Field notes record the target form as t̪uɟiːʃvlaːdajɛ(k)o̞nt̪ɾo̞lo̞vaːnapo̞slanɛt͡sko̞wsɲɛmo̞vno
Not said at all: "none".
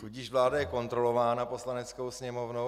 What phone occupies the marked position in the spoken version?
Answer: k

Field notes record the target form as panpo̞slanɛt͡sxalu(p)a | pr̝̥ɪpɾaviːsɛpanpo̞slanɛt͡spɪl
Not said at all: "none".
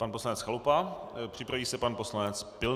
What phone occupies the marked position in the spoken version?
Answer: p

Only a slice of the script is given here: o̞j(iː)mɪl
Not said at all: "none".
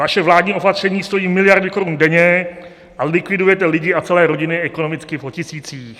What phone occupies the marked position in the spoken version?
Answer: iː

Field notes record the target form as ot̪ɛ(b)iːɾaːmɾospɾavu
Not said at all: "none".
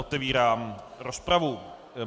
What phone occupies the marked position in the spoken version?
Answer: v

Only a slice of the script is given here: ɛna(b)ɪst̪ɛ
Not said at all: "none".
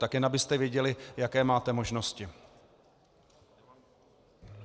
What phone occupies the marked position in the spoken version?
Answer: b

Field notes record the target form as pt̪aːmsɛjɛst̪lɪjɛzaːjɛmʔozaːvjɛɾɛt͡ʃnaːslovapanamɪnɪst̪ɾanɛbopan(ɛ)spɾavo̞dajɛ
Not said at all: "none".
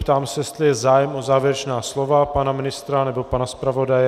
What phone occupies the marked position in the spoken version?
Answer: a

